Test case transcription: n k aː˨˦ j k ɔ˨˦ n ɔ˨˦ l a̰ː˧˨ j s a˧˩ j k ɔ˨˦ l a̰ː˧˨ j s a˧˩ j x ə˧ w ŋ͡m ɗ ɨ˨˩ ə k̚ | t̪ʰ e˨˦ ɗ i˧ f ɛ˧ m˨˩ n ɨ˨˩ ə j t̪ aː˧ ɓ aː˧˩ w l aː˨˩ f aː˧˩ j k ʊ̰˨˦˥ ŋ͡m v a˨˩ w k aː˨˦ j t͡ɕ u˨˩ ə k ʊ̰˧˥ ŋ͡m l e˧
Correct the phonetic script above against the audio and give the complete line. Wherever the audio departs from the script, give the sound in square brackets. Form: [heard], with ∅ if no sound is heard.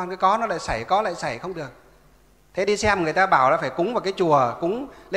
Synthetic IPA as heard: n k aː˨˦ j k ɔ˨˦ n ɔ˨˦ l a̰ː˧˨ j s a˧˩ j k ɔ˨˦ l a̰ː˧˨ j s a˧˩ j x ə˧ w ŋ͡m ɗ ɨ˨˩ ə k̚ | t̪ʰ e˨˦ ɗ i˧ [s] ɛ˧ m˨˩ [ŋ] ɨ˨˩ ə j t̪ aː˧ ɓ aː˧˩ w l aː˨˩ f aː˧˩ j k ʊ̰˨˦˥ ŋ͡m v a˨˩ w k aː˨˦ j t͡ɕ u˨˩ ə k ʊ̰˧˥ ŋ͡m l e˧

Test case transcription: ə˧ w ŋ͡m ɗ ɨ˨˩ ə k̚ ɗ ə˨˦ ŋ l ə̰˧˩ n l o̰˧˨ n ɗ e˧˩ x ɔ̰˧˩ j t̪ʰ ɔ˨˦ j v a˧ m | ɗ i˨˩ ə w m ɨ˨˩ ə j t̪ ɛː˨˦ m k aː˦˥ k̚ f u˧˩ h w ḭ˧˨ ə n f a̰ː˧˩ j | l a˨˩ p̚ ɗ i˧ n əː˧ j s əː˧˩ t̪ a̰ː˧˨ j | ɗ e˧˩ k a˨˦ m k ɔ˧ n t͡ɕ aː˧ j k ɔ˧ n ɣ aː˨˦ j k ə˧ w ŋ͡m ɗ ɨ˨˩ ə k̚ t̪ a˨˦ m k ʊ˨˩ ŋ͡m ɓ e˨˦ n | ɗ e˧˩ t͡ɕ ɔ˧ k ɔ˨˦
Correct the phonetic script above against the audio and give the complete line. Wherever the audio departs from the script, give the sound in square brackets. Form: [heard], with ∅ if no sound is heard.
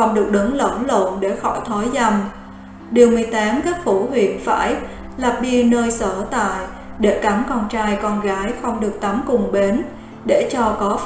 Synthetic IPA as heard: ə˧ w ŋ͡m ɗ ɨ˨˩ ə k̚ ɗ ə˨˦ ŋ l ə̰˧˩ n l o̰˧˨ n ɗ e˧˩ x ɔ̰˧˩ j t̪ʰ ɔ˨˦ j [z] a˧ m | ɗ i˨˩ ə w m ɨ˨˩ ə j t̪ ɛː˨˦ m k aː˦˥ k̚ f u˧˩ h w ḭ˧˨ ə n f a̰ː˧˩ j | l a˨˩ p̚ ɗ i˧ n əː˧ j s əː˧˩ t̪ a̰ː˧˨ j | ɗ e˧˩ k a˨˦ m k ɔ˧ n t͡ɕ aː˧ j k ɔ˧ n ɣ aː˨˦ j [x] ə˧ w ŋ͡m ɗ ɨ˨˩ ə k̚ t̪ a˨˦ m k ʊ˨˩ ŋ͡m ɓ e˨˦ n | ɗ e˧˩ t͡ɕ ɔ˧ k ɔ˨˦

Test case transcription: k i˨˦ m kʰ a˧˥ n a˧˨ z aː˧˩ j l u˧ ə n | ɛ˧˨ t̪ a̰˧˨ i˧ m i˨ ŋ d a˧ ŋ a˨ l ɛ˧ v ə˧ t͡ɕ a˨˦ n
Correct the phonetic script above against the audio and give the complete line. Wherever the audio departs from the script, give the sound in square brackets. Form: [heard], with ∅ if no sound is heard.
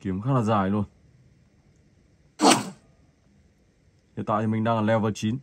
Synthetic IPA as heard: k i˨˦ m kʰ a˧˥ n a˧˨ z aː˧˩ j l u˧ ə n | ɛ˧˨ t̪ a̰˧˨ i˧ m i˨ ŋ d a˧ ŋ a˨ l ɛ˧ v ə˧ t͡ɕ [i˨˦] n

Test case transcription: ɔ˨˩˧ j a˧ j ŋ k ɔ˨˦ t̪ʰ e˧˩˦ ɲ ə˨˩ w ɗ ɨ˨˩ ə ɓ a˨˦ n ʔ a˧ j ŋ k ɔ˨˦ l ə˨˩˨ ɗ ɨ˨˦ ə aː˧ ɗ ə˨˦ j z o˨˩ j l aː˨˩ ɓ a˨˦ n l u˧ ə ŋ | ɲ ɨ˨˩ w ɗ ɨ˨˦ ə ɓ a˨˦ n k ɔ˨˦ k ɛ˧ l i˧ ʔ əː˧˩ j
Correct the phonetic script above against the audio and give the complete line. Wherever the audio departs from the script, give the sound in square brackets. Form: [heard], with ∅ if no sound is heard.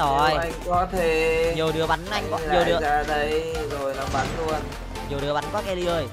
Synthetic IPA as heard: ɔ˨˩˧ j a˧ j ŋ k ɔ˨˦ t̪ʰ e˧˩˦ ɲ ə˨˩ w ɗ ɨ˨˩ ə ɓ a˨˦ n ʔ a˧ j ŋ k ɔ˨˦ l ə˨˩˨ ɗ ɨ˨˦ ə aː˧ ɗ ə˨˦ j z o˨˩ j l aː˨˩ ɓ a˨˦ n l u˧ ə [n] | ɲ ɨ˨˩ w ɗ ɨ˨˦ ə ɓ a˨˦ n k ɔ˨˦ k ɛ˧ l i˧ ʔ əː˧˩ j

